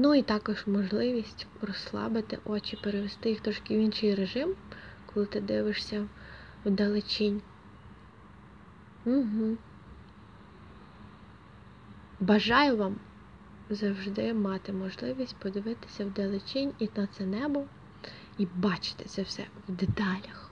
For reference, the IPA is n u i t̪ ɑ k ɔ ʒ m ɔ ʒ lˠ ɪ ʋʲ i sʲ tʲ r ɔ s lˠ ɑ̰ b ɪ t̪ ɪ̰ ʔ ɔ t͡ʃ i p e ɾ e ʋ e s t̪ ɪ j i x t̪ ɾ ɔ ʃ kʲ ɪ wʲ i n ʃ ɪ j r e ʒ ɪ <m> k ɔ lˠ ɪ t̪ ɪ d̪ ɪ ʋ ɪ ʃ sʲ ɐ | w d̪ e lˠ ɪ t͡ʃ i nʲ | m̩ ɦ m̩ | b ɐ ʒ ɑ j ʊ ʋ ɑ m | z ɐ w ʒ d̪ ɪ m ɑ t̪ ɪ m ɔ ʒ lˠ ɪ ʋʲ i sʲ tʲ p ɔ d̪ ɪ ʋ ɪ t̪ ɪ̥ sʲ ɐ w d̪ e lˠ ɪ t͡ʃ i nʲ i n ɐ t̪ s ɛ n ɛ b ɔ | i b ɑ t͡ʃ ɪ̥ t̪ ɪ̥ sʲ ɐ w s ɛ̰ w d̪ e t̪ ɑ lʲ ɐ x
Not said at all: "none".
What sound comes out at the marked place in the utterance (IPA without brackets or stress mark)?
m